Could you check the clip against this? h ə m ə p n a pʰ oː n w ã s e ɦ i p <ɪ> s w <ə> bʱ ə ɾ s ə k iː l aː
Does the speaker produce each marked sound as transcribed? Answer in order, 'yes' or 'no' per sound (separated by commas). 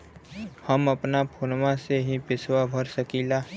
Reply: yes, no